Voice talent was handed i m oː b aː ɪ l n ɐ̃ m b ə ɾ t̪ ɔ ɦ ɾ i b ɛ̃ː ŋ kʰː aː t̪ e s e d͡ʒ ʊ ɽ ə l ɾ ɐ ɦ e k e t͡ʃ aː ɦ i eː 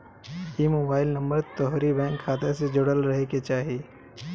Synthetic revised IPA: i m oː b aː ɪ l n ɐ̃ m b ə ɾ t̪ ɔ ɦ ɾ i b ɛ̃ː ŋ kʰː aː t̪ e s e d͡ʒ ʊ ɽ ə l ɾ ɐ ɦ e k e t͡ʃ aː ɦ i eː